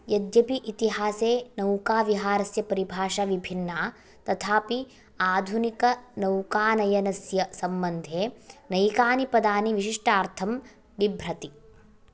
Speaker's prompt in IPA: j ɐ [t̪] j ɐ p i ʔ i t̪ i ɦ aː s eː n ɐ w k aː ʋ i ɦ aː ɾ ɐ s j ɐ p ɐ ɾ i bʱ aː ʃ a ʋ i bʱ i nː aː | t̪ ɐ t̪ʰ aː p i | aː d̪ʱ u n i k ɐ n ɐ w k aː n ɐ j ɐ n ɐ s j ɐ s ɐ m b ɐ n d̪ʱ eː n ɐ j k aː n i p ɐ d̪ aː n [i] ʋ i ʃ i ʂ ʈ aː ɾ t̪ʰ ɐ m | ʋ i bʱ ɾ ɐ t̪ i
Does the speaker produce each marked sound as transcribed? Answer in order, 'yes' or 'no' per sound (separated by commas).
no, yes